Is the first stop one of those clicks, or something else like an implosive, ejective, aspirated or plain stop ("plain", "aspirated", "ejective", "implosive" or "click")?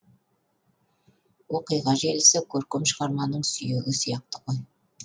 plain